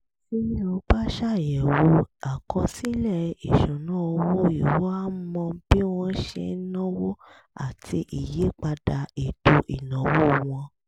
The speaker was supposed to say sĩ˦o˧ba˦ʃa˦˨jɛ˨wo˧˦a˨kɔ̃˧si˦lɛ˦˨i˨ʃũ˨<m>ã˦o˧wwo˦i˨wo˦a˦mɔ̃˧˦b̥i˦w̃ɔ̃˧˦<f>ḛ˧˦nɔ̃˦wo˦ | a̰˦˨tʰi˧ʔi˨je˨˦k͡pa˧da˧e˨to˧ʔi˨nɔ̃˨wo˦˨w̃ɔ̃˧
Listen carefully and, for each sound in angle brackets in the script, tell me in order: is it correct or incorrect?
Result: incorrect: n, incorrect: ʃ

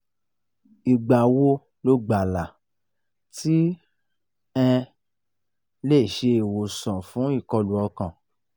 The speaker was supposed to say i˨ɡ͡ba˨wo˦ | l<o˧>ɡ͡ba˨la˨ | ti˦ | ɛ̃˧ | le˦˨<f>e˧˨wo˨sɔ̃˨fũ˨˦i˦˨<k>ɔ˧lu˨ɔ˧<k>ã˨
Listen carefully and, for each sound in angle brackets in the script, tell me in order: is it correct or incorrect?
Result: correct, incorrect: ʃ, correct, correct

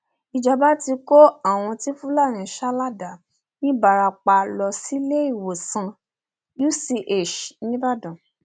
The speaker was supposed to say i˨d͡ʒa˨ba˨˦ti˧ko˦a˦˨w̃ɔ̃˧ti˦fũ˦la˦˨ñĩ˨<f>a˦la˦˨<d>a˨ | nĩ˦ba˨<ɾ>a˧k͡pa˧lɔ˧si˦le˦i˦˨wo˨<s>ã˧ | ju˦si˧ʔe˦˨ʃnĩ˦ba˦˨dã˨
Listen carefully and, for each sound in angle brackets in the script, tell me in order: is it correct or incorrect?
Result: incorrect: ʃ, correct, correct, correct

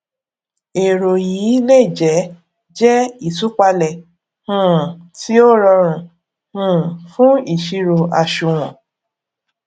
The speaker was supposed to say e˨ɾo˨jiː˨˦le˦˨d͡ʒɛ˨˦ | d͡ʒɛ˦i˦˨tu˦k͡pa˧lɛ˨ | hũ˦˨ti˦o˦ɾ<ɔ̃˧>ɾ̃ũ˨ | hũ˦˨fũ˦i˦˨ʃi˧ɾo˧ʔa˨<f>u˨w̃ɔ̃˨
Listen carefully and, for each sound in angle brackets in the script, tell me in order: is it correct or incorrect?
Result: incorrect: ɔ˧, incorrect: ʃ

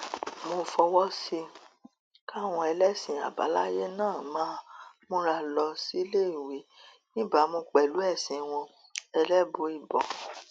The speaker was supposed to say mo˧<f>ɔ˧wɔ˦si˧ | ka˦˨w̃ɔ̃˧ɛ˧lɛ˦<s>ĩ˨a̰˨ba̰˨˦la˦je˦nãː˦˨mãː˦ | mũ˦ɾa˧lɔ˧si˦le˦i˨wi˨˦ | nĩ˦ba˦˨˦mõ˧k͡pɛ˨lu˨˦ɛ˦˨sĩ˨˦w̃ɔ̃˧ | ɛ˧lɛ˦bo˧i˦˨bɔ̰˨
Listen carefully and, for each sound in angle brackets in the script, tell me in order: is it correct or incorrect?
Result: correct, correct

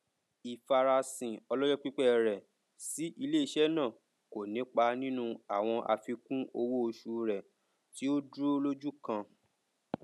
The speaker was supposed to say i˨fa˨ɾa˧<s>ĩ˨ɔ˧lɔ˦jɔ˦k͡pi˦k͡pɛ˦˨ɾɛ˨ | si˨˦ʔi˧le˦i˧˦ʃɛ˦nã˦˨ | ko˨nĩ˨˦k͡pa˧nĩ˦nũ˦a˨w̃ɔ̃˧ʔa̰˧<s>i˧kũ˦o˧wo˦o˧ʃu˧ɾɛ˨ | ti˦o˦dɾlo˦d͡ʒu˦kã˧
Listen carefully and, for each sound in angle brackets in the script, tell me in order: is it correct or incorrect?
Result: correct, incorrect: f

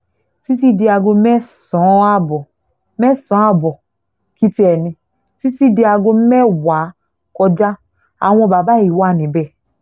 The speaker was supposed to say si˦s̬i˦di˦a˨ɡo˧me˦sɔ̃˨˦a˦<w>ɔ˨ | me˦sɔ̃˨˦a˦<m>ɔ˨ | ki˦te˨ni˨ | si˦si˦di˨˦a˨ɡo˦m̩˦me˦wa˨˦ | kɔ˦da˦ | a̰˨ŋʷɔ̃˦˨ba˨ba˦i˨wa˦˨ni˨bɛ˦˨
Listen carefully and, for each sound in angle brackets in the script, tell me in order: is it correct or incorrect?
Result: incorrect: b, incorrect: b

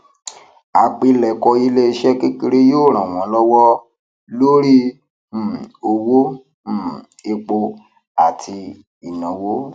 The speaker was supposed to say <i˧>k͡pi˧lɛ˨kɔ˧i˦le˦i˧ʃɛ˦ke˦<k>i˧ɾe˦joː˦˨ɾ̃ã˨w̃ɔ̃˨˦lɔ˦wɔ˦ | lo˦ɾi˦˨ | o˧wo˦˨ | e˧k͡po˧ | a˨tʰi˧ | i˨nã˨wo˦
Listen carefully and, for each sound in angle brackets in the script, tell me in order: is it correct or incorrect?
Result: incorrect: a˧, correct

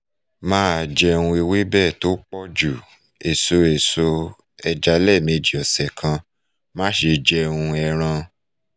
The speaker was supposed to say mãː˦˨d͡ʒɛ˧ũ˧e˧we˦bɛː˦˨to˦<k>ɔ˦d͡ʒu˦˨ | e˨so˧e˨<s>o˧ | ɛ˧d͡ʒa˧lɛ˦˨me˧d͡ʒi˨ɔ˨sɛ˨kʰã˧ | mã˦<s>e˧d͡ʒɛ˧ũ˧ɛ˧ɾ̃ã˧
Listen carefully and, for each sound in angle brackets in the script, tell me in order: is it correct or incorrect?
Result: incorrect: k͡p, correct, incorrect: ʃ

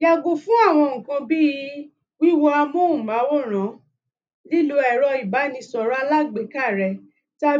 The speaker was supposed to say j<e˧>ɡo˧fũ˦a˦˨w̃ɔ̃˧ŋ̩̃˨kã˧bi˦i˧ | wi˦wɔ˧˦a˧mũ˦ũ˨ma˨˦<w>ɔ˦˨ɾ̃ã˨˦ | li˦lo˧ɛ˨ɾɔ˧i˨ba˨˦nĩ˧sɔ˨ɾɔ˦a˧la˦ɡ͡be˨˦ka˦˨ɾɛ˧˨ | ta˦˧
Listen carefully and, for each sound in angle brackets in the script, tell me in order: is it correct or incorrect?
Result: incorrect: a˧, correct

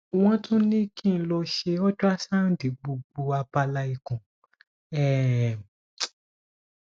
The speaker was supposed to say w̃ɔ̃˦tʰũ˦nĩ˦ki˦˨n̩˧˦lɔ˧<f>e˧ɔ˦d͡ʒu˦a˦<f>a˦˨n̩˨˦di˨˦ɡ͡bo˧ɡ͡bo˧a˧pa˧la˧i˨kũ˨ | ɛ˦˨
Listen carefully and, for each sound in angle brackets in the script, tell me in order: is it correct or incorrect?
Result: incorrect: ʃ, incorrect: s

